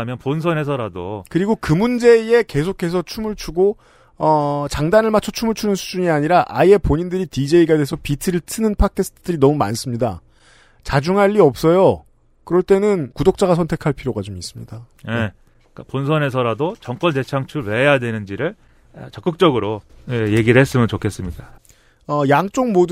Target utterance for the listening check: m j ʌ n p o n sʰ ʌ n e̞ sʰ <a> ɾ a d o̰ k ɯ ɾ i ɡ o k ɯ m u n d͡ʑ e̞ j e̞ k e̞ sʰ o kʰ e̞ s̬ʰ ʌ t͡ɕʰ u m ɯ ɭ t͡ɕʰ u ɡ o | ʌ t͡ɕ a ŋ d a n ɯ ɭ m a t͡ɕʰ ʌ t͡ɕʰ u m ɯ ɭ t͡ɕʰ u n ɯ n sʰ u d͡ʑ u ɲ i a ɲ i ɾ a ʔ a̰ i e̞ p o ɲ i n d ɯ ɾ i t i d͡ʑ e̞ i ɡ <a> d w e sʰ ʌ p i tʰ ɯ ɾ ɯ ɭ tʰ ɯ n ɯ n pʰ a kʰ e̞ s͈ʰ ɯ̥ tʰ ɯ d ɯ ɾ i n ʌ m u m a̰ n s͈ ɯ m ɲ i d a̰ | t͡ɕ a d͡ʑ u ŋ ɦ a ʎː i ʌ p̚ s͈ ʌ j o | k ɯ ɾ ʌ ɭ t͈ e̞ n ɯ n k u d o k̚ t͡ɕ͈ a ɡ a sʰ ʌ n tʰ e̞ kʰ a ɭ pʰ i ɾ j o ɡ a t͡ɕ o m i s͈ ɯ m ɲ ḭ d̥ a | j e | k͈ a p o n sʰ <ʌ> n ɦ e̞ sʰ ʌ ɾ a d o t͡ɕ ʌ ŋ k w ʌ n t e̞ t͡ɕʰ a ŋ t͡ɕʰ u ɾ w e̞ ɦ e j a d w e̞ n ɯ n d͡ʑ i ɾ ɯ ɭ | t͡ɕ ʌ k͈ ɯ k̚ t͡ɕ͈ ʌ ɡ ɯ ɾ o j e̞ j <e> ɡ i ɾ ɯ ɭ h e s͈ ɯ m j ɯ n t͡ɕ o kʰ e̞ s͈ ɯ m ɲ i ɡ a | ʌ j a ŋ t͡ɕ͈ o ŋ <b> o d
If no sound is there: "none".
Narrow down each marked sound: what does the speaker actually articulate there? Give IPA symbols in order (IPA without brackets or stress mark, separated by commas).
ʌ, a, ʌ, e, m